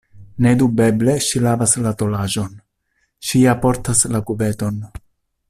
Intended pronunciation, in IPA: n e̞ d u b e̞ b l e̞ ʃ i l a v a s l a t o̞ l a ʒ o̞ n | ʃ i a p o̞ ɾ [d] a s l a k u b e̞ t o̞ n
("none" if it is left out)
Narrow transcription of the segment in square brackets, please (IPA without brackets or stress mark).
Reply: t